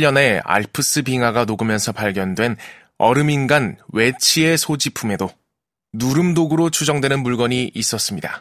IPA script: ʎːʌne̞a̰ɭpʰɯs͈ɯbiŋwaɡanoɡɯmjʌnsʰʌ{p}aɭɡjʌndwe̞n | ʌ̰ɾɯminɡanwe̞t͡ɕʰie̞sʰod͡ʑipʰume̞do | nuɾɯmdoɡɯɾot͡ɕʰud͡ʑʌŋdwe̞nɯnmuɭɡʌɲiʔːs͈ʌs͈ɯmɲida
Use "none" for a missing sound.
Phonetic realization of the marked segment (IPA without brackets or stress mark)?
p